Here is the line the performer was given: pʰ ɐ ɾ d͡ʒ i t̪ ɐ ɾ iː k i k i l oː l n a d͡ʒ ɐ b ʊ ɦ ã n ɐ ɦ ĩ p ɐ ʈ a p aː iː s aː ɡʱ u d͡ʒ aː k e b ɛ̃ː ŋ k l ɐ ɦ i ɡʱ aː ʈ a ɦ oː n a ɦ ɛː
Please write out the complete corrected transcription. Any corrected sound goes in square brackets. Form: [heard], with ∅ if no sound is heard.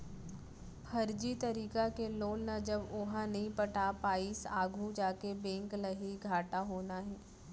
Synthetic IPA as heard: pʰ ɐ ɾ d͡ʒ i t̪ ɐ ɾ iː k [a] k [e] l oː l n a d͡ʒ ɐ b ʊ ɦ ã n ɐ ɦ ĩ p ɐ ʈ a p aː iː s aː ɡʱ u d͡ʒ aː k e b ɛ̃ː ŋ k l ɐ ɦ i ɡʱ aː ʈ a ɦ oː n a ɦ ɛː